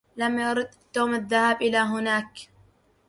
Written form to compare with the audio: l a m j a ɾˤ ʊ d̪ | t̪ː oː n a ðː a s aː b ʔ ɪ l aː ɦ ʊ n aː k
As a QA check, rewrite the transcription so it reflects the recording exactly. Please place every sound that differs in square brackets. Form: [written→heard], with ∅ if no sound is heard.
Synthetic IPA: l a m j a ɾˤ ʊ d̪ | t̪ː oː [n→m] a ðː a [s→h] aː b ʔ ɪ l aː ɦ ʊ n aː k